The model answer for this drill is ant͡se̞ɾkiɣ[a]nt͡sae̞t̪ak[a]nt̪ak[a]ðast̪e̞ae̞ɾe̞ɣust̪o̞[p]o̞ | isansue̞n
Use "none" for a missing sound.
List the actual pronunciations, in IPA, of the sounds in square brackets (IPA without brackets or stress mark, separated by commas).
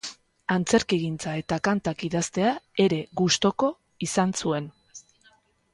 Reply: i, a, i, k